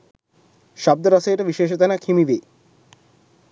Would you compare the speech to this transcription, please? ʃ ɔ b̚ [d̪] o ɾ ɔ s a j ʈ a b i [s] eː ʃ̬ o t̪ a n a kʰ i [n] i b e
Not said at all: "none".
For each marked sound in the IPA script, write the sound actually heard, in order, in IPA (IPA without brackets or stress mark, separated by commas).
d̪, ʃ, m